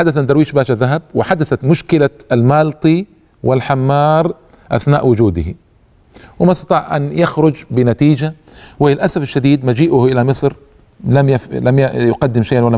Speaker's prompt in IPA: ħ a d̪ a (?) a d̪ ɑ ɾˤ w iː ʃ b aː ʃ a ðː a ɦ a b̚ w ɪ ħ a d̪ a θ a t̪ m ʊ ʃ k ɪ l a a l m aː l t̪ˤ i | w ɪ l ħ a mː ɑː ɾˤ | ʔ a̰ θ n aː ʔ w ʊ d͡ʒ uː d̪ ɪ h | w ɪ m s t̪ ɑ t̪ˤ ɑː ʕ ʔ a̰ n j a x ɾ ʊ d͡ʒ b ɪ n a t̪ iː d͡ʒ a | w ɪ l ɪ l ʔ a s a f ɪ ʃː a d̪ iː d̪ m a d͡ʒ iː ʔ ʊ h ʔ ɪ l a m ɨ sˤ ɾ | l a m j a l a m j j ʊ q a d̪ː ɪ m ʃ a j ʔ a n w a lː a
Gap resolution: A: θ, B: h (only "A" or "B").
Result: A